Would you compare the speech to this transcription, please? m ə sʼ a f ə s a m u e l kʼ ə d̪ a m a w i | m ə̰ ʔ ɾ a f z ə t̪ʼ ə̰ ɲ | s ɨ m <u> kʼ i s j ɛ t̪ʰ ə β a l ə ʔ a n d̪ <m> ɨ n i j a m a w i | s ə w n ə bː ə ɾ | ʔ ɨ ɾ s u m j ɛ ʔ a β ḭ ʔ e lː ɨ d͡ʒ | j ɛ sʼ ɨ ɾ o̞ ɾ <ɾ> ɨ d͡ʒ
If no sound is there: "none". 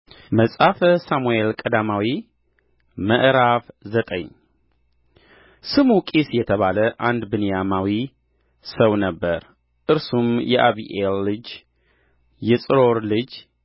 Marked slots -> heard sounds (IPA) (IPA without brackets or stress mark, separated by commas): u, b, l